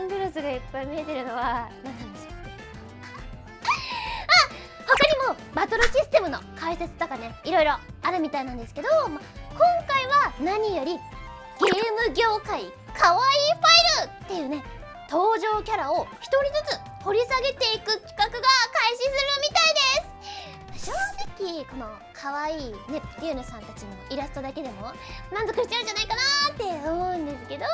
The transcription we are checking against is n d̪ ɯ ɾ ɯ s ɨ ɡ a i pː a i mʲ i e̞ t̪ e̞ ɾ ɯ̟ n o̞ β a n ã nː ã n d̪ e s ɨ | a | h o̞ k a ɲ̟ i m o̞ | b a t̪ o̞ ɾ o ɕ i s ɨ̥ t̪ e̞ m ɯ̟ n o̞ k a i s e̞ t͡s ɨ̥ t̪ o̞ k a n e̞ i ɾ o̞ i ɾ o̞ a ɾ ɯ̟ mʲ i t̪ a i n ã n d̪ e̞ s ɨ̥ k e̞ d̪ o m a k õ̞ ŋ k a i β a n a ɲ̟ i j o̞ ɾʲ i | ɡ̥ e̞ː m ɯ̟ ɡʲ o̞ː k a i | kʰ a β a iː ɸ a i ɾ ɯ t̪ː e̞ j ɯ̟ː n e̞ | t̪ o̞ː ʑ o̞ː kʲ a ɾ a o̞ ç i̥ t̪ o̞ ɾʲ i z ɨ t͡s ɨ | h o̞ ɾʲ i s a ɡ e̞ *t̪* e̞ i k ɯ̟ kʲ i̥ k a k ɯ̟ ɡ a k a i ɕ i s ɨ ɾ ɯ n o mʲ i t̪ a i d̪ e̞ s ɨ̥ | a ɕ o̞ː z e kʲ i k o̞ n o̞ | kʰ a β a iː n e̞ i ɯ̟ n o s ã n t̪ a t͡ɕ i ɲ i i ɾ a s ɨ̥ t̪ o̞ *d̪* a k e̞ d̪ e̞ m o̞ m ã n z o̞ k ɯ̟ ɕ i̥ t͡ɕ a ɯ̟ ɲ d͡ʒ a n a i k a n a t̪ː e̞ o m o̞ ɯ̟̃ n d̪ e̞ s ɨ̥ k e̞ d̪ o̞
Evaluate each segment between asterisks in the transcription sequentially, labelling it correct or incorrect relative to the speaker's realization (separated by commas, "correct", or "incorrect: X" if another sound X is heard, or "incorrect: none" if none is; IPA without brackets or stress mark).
correct, correct